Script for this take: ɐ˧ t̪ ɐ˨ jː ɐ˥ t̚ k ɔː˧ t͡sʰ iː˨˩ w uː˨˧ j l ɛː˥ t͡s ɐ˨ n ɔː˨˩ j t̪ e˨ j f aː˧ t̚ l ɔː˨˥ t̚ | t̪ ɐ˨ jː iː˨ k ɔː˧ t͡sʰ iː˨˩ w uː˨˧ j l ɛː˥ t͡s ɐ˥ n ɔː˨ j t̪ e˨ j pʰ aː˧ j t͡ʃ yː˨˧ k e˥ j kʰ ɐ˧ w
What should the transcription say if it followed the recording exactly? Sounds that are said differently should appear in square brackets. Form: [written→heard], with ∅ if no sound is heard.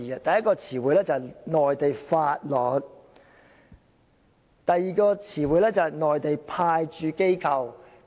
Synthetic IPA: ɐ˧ t̪ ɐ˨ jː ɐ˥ t̚ k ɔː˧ t͡sʰ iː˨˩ w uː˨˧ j l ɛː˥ t͡s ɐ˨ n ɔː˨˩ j t̪ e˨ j f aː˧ t̚ l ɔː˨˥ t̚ | t̪ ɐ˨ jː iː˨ k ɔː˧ t͡sʰ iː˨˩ w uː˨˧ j l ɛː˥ t͡s [ɐ˥→ɐ˨] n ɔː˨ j t̪ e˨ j pʰ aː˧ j t͡ʃ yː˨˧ k e˥ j kʰ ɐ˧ w